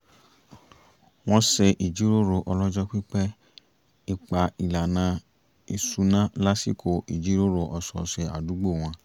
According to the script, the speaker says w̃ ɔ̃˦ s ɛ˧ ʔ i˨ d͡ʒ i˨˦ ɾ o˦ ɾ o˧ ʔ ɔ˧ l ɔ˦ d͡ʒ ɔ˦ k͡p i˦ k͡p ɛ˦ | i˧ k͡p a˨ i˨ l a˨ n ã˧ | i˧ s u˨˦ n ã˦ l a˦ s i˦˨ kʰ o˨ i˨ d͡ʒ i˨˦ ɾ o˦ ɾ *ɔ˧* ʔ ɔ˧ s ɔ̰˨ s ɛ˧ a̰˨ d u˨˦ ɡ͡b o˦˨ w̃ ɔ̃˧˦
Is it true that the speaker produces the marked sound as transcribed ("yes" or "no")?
no